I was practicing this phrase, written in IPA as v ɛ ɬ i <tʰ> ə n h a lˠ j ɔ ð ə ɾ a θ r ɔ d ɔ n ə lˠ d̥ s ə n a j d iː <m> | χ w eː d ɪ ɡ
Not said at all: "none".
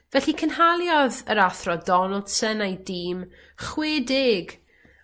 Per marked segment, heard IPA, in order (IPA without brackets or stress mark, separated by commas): kʰ, m